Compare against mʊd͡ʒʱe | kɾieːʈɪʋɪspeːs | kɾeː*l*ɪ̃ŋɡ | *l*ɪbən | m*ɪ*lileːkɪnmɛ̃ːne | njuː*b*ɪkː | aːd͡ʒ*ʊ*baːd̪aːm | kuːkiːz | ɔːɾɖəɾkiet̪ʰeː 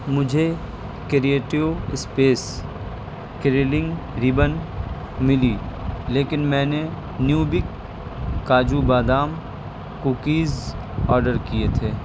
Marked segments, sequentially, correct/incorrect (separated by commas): correct, incorrect, correct, correct, incorrect